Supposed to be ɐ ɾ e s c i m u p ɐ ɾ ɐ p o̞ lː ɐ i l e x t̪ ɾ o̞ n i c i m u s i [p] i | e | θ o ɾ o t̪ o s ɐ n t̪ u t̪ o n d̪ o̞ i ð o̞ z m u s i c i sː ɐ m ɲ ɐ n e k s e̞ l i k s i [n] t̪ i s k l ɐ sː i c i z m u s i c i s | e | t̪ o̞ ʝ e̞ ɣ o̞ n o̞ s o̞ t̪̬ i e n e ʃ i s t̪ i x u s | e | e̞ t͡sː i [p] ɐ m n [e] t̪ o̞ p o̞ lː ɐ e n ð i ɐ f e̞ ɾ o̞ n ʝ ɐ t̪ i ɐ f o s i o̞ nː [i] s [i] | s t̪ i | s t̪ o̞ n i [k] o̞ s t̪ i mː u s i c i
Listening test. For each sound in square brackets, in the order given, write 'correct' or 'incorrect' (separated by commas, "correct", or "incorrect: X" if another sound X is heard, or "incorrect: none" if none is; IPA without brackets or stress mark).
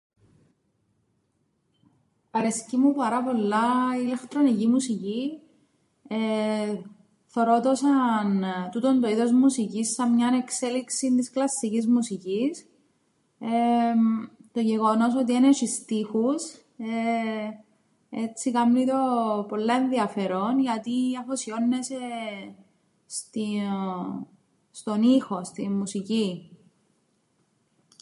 incorrect: c, correct, incorrect: k, incorrect: i, incorrect: e, incorrect: e, incorrect: x